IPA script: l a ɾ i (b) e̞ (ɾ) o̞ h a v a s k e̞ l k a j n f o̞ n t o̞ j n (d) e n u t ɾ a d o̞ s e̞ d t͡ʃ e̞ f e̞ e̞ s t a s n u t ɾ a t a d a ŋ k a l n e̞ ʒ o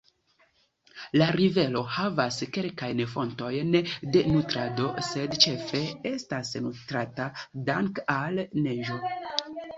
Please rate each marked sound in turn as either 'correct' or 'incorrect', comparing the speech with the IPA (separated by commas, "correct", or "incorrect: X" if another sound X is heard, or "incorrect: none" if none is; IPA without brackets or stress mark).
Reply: incorrect: v, incorrect: l, correct